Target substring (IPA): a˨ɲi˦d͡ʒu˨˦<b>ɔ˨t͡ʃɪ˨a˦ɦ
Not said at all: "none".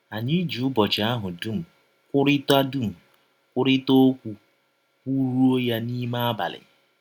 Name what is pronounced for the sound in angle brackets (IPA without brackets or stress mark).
b